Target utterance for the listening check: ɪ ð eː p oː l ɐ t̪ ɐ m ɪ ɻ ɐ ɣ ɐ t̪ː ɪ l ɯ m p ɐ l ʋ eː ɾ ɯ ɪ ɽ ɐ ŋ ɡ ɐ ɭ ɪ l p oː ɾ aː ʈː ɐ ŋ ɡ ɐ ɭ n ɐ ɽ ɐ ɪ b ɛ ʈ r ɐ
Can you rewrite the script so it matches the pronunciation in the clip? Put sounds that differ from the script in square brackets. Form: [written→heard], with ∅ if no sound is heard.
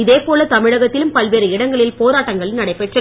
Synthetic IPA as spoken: ɪ ð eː p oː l ɐ t̪ ɐ m ɪ ɻ ɐ ɣ ɐ t̪ː ɪ l ɯ m p ɐ l ʋ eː ɾ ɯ ɪ ɽ ɐ ŋ ɡ ɐ ɭ ɪ l p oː ɾ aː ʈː ɐ ŋ ɡ ɐ ɭ n ɐ ɽ ɐ ɪ [b→p] ɛ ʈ r ɐ

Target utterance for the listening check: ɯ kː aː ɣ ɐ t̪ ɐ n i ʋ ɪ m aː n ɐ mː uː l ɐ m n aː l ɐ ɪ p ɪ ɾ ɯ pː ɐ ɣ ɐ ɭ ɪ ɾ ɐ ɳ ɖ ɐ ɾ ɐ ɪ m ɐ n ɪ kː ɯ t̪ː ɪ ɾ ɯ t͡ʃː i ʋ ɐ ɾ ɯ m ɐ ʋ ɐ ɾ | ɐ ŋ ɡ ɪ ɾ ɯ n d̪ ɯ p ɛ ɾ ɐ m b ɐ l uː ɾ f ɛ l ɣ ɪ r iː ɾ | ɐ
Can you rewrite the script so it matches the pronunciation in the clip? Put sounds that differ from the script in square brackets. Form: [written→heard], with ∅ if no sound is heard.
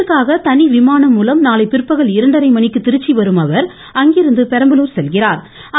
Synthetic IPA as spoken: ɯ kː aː ɣ ɐ t̪ ɐ n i ʋ ɪ m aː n ɐ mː uː l ɐ m n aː l ɐ ɪ p ɪ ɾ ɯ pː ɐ ɣ ɐ ɭ ɪ ɾ ɐ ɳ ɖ ɐ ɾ ɐ ɪ m ɐ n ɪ kː ɯ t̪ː ɪ ɾ ɯ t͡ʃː i ʋ ɐ ɾ ɯ m ɐ ʋ ɐ ɾ | ɐ ŋ ɡ ɪ ɾ ɯ n d̪ ɯ p ɛ ɾ ɐ m b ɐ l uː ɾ [f→s] ɛ l ɣ ɪ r [iː→aː] ɾ | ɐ

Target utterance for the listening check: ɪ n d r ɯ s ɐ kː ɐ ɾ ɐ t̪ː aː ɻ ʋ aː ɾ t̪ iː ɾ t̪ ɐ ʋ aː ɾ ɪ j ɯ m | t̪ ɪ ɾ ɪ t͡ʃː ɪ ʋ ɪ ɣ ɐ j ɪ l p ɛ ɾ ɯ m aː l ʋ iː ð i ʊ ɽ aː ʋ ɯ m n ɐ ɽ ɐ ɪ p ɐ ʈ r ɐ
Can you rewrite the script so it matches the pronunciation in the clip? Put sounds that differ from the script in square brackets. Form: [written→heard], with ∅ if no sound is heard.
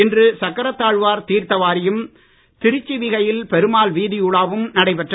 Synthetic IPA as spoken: ɪ n d r ɯ s ɐ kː ɐ ɾ ɐ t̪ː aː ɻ ʋ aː ɾ t̪ iː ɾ t̪ ɐ ʋ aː ɾ ɪ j ɯ m | t̪ ɪ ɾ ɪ t͡ʃː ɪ ʋ ɪ ɣ ɐ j ɪ l p ɛ ɾ ɯ m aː l ʋ iː ð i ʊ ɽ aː ʋ ɯ m n ɐ ɽ ɐ ɪ p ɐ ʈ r ɐ

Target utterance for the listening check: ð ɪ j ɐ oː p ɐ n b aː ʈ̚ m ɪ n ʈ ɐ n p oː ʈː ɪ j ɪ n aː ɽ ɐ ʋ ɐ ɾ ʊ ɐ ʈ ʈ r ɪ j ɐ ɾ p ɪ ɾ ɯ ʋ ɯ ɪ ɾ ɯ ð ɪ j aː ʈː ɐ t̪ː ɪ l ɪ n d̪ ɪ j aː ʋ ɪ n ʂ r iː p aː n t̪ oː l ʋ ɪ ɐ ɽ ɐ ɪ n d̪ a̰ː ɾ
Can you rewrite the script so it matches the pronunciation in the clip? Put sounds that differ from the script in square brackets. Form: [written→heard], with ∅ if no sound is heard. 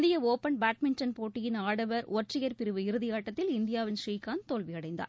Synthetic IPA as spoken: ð ɪ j ɐ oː p ɐ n b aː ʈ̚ m ɪ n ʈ ɐ n p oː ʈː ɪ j ɪ n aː ɽ ɐ ʋ ɐ ɾ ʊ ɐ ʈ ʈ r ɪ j ɐ ɾ p ɪ ɾ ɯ ʋ ɯ ɪ ɾ ɯ ð ɪ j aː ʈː ɐ t̪ː ɪ l ɪ n d̪ ɪ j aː ʋ ɪ n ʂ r iː [p→k] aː n t̪ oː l ʋ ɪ ɐ ɽ ɐ ɪ n d̪ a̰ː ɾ

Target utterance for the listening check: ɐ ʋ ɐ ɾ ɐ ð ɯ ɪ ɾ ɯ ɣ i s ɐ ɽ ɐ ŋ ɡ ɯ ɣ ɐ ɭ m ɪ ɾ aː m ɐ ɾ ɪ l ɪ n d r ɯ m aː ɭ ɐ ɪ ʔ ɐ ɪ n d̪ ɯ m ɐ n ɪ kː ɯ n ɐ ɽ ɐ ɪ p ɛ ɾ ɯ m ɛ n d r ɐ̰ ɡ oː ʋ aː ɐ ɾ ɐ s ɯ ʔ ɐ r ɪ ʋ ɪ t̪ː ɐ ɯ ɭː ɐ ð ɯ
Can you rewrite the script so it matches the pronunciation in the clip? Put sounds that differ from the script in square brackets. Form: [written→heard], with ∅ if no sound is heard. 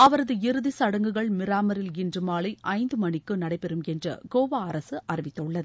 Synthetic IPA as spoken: ɐ ʋ ɐ ɾ ɐ ð ɯ ɪ ɾ ɯ [ɣ→ð] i s ɐ ɽ ɐ ŋ ɡ ɯ ɣ ɐ ɭ m ɪ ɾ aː m ɐ ɾ ɪ l ɪ n d r ɯ m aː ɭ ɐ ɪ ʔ ɐ ɪ n d̪ ɯ m ɐ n ɪ kː ɯ n ɐ ɽ ɐ ɪ p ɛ ɾ ɯ m ɛ n d r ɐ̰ ɡ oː ʋ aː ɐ ɾ ɐ s ɯ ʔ ɐ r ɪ ʋ ɪ t̪ː ɐ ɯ ɭː ɐ ð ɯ

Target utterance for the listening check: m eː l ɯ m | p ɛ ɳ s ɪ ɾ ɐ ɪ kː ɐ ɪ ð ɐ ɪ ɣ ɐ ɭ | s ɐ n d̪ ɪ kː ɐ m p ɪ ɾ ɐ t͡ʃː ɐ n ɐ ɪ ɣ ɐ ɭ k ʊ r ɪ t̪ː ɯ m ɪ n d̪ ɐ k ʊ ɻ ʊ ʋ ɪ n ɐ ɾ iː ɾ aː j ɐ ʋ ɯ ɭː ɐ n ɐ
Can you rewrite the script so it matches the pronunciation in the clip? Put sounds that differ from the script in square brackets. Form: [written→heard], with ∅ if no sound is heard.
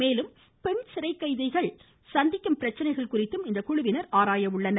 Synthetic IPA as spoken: m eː l ɯ m | p ɛ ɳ s ɪ ɾ ɐ ɪ kː ɐ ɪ ð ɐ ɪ ɣ ɐ ɭ | s ɐ n d̪ ɪ kː ɐ m p ɪ ɾ ɐ t͡ʃː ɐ n ɐ ɪ ɣ ɐ ɭ k ʊ r ɪ t̪ː ɯ m ɪ n d̪ ɐ k ʊ ɻ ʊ ʋ ɪ n ɐ ɾ [iː→aː] ɾ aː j ɐ ʋ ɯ ɭː ɐ n ɐ

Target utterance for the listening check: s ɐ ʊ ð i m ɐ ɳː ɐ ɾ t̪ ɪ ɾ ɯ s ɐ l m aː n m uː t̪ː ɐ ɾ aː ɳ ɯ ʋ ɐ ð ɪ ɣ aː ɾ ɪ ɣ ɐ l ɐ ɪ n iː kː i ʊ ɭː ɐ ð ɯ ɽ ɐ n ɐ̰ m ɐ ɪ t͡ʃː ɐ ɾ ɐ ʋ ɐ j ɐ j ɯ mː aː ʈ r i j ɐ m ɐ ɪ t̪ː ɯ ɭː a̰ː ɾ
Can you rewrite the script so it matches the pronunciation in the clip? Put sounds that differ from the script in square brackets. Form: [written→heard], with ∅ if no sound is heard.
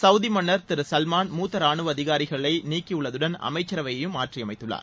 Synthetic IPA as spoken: s ɐ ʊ ð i m ɐ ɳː ɐ ɾ t̪ ɪ ɾ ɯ s ɐ l m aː n m uː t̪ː ɐ ɾ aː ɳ ɯ ʋ ɐ ð ɪ ɣ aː ɾ ɪ ɣ ɐ [l→ɭ] ɐ ɪ n iː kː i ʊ ɭː ɐ ð ɯ ɽ ɐ n ɐ̰ m ɐ ɪ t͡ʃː ɐ ɾ ɐ ʋ ɐ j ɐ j ɯ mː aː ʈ r i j ɐ m ɐ ɪ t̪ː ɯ ɭː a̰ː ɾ

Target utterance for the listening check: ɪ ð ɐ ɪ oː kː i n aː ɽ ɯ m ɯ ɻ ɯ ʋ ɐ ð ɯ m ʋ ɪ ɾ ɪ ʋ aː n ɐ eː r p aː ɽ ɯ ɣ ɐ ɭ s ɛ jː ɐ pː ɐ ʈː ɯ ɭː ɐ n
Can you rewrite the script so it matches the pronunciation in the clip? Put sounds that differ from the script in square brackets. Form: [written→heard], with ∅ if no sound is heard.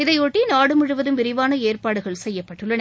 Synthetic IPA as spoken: ɪ ð ɐ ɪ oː [kː→ʈː] i n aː ɽ ɯ m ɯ ɻ ɯ ʋ ɐ ð ɯ m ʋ ɪ ɾ ɪ ʋ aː n ɐ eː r p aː ɽ ɯ ɣ ɐ ɭ s ɛ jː ɐ pː ɐ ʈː ɯ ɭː ɐ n

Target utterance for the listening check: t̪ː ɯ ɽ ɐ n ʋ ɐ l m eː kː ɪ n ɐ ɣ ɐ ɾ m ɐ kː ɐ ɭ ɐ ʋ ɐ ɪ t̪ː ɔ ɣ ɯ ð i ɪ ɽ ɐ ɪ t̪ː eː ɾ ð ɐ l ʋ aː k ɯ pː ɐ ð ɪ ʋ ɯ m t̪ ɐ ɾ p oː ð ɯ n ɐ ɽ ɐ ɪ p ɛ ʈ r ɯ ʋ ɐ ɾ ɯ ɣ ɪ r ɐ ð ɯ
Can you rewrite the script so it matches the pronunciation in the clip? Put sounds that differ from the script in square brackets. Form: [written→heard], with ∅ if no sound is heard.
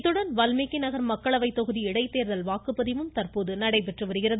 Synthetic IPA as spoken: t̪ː ɯ ɽ ɐ n ʋ ɐ l m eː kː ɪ n ɐ ɣ ɐ ɾ m ɐ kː ɐ ɭ ɐ ʋ ɐ ɪ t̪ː ɔ ɣ ɯ ð i ɪ ɽ ɐ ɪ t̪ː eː ɾ ð ɐ l ʋ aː k ɯ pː ɐ ð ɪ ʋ ɯ m t̪ ɐ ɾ p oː ð ɯ n ɐ ɽ ɐ ɪ p ɛ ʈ r ɯ ʋ ɐ ɾ ɯ ɣ ɪ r ɐ ð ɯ

